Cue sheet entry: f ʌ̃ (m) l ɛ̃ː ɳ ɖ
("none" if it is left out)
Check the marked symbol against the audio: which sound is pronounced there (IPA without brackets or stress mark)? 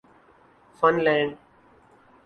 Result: n